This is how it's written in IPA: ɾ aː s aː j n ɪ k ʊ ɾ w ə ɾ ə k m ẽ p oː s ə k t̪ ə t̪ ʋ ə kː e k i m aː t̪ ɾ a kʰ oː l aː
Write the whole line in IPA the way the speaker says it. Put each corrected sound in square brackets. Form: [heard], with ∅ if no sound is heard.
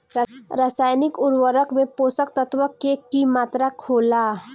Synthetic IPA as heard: ɾ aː s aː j n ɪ k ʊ ɾ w ə ɾ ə k m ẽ p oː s ə k t̪ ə t̪ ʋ ə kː e k i m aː t̪ ɾ a kʰ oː l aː